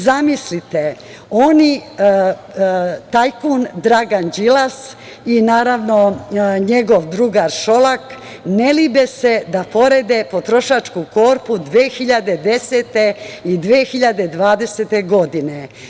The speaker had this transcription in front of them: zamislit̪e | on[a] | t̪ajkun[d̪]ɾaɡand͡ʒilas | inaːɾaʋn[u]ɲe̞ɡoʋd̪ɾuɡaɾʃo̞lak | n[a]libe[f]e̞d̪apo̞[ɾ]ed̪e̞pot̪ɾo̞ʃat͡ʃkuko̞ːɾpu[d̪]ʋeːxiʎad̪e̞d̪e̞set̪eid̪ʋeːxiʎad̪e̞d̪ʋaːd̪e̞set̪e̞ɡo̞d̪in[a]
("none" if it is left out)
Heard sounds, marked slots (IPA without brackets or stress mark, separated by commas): i, d̪, o, e, s, ɾ, d̪, e